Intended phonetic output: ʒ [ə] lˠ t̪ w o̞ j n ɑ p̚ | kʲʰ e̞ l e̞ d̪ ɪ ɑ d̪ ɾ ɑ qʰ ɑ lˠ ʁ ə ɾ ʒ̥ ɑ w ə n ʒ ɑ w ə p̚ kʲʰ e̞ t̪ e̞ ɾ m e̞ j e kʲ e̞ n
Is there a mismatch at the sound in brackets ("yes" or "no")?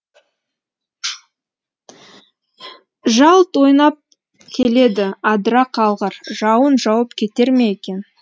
yes